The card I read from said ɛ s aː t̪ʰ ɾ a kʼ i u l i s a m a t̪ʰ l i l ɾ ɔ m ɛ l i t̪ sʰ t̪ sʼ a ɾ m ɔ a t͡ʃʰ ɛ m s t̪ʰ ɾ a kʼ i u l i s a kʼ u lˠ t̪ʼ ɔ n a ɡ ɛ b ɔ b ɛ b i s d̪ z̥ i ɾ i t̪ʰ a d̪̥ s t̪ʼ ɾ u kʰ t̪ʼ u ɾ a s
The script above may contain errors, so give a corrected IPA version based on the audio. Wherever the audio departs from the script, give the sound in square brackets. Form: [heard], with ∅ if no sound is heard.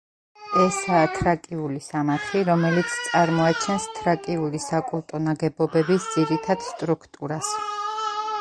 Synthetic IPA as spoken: ɛ s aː t̪ʰ ɾ a kʼ i u l i s a m a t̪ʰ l i [∅] ɾ ɔ m ɛ l i t̪ sʰ t̪ sʼ a ɾ m ɔ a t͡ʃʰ ɛ [n] s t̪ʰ ɾ a kʼ i u l i s a kʼ u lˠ t̪ʼ ɔ n a ɡ ɛ b ɔ b ɛ b i s d̪ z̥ i ɾ i t̪ʰ a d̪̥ s t̪ʼ ɾ u kʰ t̪ʼ u ɾ a s

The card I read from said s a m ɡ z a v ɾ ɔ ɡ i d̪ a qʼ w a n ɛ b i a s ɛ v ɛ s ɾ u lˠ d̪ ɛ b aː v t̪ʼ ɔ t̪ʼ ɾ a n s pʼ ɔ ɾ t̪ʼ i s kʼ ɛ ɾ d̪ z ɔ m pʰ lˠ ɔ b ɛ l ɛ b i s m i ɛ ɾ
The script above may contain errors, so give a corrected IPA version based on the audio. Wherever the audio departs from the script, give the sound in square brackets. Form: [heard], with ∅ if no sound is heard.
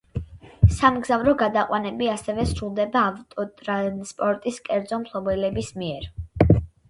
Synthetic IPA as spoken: s a m ɡ z a v ɾ ɔ ɡ [a] d̪ a qʼ w a n ɛ b i a s ɛ v ɛ s ɾ u lˠ d̪ ɛ b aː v t̪ʼ ɔ t̪ʼ ɾ a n s pʼ ɔ ɾ t̪ʼ i s kʼ ɛ ɾ d̪ z ɔ m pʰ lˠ ɔ b ɛ l ɛ b i s m i ɛ ɾ

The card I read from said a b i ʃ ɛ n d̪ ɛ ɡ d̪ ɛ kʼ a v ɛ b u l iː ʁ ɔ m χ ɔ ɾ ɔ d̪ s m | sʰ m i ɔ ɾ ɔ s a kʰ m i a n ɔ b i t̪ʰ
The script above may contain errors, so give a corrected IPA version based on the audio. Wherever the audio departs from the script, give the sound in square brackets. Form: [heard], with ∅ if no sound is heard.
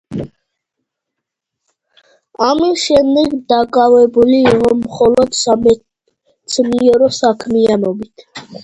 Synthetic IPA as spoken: a [m] i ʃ ɛ n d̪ ɛ ɡ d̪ [a] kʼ a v ɛ b u l iː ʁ ɔ m χ ɔ [l] ɔ d̪ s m | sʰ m i ɔ ɾ ɔ s a kʰ m i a n ɔ b i t̪ʰ

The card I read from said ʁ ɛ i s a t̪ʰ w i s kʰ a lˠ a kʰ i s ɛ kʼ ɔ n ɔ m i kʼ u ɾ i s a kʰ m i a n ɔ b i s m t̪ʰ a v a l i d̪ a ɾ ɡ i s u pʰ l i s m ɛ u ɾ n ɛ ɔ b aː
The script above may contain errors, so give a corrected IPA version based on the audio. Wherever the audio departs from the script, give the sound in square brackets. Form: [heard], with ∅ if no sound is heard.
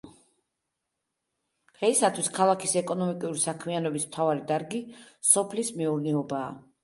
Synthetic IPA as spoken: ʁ ɛ i s a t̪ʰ w i s kʰ a lˠ a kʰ i s ɛ kʼ ɔ n ɔ m i kʼ u ɾ i s a kʰ m i a n ɔ b i s m t̪ʰ a v a [ɾ] i d̪ a ɾ ɡ i s [ɔ] pʰ l i s m ɛ u ɾ n ɛ ɔ b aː

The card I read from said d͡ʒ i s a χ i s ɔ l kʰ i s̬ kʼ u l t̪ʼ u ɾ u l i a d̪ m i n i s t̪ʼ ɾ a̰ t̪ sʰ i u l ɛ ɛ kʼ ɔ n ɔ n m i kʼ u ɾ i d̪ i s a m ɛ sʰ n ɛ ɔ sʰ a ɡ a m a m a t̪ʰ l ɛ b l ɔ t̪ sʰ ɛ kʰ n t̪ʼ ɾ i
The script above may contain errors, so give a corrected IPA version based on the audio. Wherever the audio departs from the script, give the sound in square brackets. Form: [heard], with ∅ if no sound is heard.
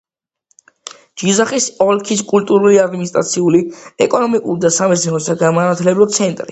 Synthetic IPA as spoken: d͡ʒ i [z] a χ i s ɔ l kʰ i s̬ kʼ u l t̪ʼ u ɾ u l i a d̪ m i n i s t̪ʼ ɾ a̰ t̪ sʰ i u l [i] ɛ kʼ ɔ n ɔ [∅] m i kʼ u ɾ i d̪ [a] s a m ɛ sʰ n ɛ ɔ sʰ a ɡ a m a [n] a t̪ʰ l ɛ b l ɔ t̪ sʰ ɛ [∅] n t̪ʼ ɾ i

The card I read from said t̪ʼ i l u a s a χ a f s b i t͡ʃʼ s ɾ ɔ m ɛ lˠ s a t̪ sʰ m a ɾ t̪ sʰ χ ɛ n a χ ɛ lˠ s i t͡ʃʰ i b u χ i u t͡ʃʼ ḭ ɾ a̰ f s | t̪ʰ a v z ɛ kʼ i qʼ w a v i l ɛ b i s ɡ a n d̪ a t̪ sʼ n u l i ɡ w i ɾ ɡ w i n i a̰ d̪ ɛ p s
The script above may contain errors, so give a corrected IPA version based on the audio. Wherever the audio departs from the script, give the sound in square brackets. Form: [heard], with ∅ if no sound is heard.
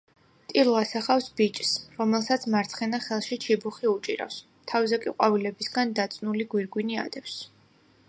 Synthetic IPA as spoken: t̪ʼ i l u a s a χ a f s b i t͡ʃʼ s ɾ ɔ m ɛ lˠ s a t̪ sʰ m a ɾ t̪ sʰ χ ɛ n a χ ɛ lˠ [ʃ] i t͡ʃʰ i b u χ i u t͡ʃʼ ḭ ɾ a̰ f s | t̪ʰ a v z ɛ kʼ i qʼ w a v i l ɛ b i s ɡ a n d̪ a t̪ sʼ n u l i ɡ w i ɾ ɡ w i n i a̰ d̪ ɛ p s

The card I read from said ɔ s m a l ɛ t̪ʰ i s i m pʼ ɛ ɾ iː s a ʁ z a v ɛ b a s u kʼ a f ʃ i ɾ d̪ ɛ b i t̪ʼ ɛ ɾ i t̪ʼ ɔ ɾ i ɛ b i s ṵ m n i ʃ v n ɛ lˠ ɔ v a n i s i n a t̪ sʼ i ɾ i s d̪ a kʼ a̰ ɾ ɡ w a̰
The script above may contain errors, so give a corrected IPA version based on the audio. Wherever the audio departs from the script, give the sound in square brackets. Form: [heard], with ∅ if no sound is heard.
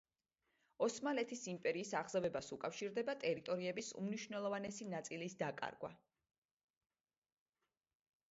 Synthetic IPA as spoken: ɔ s m a l ɛ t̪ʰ i s i m pʼ ɛ ɾ iː s a ʁ z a v ɛ b a s u kʼ a f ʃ i ɾ d̪ ɛ b [a] t̪ʼ ɛ ɾ i t̪ʼ ɔ ɾ i ɛ b i s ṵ m n i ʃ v n ɛ lˠ ɔ v a n [ɛ] s i n a t̪ sʼ i [l] i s d̪ a kʼ a̰ ɾ ɡ w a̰

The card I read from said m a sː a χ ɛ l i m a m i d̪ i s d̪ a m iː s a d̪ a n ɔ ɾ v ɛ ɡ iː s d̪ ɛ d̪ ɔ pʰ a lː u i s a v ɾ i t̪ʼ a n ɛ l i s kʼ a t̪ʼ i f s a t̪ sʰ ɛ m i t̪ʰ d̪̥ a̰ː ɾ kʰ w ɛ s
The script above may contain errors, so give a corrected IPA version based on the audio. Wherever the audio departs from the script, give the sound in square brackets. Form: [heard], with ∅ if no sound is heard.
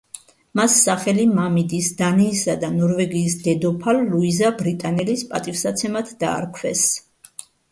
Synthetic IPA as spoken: m a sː a χ ɛ l i m a m i d̪ i s d̪ a [n] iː s a d̪ a n ɔ ɾ v ɛ ɡ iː s d̪ ɛ d̪ ɔ pʰ a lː u i [z] a [b] ɾ i t̪ʼ a n ɛ l i s [pʼ] a t̪ʼ i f s a t̪ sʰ ɛ m [a] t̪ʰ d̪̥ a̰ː ɾ kʰ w ɛ s

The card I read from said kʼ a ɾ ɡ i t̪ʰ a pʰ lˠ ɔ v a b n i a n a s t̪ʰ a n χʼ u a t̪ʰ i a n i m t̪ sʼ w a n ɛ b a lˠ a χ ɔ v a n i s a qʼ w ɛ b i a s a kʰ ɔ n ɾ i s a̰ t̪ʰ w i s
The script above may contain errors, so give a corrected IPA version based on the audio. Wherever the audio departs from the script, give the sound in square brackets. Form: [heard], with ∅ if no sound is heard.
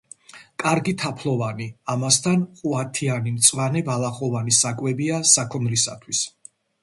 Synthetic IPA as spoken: kʼ a ɾ ɡ i t̪ʰ a pʰ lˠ ɔ v a [∅] n i a [m] a s t̪ʰ a n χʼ u a t̪ʰ i a n i m t̪ sʼ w a n ɛ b a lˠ a χ ɔ v a n i s a [kʼ] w ɛ b i a s a kʰ ɔ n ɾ i s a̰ t̪ʰ w i s

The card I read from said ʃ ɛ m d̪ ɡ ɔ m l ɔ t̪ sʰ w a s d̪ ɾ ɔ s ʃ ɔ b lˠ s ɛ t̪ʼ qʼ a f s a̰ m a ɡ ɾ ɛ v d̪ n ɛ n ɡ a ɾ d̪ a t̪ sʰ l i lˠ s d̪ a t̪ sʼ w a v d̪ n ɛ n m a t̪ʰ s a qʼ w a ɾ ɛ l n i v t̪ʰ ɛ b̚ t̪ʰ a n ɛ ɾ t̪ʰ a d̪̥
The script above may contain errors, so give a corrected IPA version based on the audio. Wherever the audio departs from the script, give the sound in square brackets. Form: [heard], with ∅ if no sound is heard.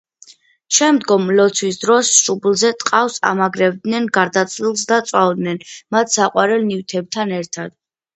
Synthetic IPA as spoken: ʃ ɛ m d̪ ɡ ɔ m l ɔ t̪ sʰ w [i] s d̪ ɾ ɔ s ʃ [u] b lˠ [z] ɛ t̪ʼ qʼ a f s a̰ m a ɡ ɾ ɛ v d̪ n ɛ n ɡ a ɾ d̪ a t̪ sʰ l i lˠ s d̪ a t̪ sʼ w a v d̪ n ɛ n m a t̪ʰ s a qʼ w a ɾ ɛ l n i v t̪ʰ ɛ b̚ t̪ʰ a n ɛ ɾ t̪ʰ a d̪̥

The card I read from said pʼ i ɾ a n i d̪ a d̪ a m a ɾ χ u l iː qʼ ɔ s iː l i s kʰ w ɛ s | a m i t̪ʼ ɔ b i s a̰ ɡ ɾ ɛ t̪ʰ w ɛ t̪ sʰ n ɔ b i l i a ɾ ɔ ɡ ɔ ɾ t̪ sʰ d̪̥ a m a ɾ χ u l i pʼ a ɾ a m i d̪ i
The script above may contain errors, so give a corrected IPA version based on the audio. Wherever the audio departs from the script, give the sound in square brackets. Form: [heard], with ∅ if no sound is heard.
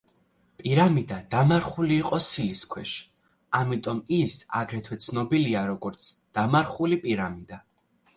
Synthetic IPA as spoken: pʼ i ɾ a [m] i d̪ a d̪ a m a ɾ χ u l iː qʼ ɔ s [i] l i s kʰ w ɛ [ʃ] | a m i t̪ʼ ɔ [m] i s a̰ ɡ ɾ ɛ t̪ʰ w ɛ t̪ sʰ n ɔ b i l i a ɾ ɔ ɡ ɔ ɾ t̪ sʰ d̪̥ a m a ɾ χ u l i pʼ [i] ɾ a m i d̪ [a]

